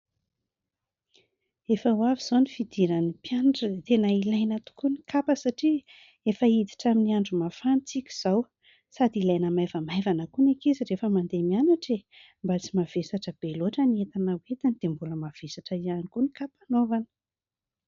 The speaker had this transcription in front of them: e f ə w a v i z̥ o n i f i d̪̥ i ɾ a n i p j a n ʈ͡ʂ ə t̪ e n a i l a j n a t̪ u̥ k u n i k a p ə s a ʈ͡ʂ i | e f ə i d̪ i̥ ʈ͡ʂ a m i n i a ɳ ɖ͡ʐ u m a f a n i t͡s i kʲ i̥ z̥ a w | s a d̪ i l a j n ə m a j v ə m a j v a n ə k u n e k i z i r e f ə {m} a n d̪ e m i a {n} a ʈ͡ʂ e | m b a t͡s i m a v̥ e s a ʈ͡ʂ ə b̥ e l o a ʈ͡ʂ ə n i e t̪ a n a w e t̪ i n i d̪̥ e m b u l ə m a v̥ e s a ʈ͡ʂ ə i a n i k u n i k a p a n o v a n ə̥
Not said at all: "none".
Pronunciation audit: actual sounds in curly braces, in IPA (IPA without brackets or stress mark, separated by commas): m, n